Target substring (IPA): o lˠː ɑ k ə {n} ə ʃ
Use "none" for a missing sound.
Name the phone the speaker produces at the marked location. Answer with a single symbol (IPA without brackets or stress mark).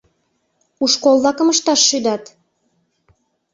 m